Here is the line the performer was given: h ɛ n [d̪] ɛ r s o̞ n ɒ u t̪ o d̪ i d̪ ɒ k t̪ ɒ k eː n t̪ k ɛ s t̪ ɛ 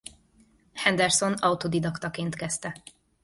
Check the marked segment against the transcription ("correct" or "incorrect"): correct